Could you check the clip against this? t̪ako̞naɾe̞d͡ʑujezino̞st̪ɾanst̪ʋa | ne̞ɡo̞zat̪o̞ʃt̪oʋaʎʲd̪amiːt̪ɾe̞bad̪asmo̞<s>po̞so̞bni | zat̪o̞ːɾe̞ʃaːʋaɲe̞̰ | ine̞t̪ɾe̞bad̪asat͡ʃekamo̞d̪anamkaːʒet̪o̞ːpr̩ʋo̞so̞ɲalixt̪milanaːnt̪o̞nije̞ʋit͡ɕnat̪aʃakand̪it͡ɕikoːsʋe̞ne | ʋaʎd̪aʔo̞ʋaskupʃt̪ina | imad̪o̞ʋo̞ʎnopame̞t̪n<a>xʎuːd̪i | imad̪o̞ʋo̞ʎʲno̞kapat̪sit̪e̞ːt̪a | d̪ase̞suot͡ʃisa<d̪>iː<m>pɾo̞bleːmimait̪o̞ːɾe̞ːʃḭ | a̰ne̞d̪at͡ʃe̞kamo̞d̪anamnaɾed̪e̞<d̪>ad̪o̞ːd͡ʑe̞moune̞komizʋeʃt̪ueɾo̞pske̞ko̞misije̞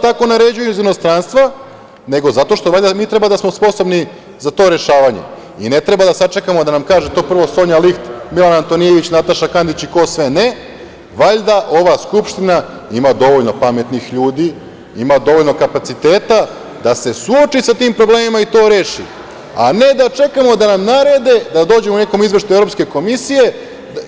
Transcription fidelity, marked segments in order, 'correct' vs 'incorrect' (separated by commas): correct, incorrect, incorrect, correct, correct